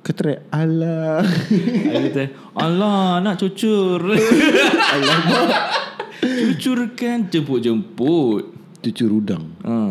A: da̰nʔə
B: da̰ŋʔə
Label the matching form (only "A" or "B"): B